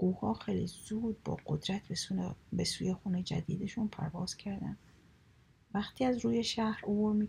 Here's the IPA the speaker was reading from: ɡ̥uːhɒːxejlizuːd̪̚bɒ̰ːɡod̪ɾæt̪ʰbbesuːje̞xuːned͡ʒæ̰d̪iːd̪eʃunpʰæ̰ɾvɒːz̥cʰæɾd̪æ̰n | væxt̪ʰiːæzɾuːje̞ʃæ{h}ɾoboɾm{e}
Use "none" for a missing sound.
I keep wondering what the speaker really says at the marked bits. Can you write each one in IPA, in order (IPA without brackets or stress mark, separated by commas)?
h, i